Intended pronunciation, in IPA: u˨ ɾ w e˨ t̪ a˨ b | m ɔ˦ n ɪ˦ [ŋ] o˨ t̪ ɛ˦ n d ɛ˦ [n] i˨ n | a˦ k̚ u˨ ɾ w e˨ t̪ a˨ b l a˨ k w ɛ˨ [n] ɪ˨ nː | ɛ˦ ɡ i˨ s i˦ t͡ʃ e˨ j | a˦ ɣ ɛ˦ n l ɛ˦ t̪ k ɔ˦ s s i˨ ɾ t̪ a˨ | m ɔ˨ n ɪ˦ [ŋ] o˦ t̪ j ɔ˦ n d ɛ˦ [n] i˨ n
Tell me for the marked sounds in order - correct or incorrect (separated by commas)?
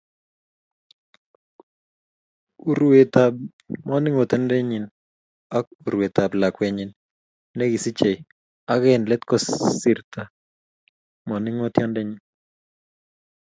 correct, incorrect, incorrect, correct, incorrect